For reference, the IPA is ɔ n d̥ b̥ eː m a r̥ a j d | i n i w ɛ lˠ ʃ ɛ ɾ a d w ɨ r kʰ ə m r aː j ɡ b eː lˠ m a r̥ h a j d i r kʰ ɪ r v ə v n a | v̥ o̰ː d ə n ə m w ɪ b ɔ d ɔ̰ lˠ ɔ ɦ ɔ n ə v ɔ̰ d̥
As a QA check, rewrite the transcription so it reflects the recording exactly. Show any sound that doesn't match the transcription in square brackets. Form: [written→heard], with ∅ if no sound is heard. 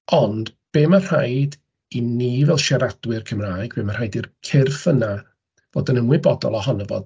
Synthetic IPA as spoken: ɔ n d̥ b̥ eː m a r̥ a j d | i n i [w→v] ɛ lˠ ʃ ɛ ɾ a d w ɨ r kʰ ə m r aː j ɡ b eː [lˠ→∅] m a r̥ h a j d i r kʰ ɪ r [v→f] ə [v→∅] n a | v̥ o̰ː d ə n ə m w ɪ b ɔ d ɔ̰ lˠ ɔ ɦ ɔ n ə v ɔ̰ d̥